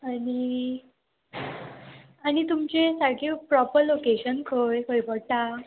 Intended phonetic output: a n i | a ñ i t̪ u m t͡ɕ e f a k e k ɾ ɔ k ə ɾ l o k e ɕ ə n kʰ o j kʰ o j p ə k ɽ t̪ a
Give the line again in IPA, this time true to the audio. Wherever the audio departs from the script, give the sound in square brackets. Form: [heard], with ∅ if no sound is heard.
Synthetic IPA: a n i | a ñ i t̪ u m t͡ɕ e [s] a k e [p] ɾ ɔ [p] ə ɾ l o k e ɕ ə n kʰ o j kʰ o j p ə [∅] ɽ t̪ a